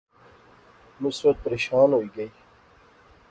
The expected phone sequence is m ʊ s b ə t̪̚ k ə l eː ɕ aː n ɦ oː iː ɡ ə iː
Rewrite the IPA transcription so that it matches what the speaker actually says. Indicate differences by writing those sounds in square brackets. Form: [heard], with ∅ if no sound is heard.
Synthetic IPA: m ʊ s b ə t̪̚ [p] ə [ɾ] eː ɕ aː n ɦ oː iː ɡ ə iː